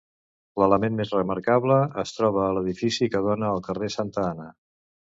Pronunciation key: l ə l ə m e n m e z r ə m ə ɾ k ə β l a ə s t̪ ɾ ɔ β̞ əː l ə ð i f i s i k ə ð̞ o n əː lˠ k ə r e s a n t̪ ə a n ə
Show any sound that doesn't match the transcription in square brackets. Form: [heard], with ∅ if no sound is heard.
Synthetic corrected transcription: l ə l ə m e n m e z r ə m ə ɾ k [a] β l [ə] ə s t̪ ɾ ɔ β̞ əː l ə ð i f i s i k ə ð̞ o n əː lˠ k ə r e s a n t̪ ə a n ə